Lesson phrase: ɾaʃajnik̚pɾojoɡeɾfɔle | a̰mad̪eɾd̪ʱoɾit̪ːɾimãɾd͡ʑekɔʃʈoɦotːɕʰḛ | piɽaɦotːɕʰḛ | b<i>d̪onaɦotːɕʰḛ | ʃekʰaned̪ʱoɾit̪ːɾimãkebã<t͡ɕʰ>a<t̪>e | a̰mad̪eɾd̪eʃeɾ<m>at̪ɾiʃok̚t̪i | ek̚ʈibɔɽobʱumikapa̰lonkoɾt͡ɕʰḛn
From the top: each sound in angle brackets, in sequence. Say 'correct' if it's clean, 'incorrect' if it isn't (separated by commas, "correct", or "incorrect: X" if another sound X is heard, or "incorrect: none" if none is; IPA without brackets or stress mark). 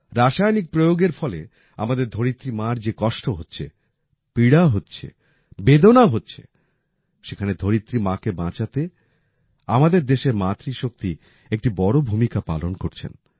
incorrect: e, incorrect: t͡ɕ, correct, correct